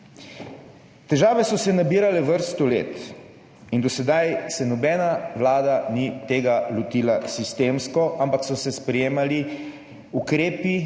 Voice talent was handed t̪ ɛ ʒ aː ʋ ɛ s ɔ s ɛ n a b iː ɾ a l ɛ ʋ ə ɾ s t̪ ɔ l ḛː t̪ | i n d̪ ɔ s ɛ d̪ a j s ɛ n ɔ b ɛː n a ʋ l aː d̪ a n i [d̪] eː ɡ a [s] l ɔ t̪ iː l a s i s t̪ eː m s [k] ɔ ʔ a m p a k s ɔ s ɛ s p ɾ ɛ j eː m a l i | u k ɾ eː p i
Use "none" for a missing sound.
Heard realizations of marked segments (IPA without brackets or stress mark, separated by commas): t̪, none, k